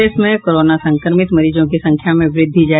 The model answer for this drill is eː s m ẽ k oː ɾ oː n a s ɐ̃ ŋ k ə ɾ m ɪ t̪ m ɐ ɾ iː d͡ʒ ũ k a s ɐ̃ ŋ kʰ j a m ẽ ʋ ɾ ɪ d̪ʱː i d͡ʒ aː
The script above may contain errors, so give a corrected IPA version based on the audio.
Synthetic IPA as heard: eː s m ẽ k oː ɾ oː n a s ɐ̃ ŋ k ə ɾ m ɪ t̪ m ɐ ɾ iː d͡ʒ õ k i s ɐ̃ ŋ kʰ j a m ẽ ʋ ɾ ɪ d̪ʱː i d͡ʒ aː